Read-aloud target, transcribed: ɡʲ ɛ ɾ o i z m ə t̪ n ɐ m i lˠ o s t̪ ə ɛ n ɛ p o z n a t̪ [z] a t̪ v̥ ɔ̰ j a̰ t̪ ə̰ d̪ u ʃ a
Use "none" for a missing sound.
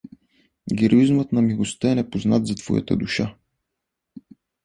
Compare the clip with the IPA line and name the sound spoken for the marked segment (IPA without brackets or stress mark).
z